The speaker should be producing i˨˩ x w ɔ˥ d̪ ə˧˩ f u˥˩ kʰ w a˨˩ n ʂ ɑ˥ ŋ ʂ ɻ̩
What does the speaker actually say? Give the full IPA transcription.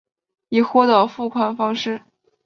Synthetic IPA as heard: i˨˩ x w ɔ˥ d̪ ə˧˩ f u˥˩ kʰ w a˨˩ n f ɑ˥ ŋ ʂ ɻ̩